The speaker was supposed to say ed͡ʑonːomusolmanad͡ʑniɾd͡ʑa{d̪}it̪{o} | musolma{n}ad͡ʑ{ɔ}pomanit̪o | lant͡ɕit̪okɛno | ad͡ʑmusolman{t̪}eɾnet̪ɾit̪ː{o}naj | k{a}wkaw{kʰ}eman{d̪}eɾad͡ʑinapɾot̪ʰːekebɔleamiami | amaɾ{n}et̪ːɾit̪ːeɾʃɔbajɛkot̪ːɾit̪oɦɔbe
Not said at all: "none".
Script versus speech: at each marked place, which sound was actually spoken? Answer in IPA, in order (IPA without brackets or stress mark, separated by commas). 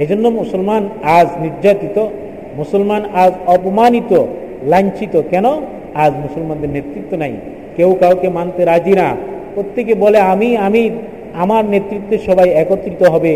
t̪, o, n, ɔ, d̪, o, e, k, t̪, n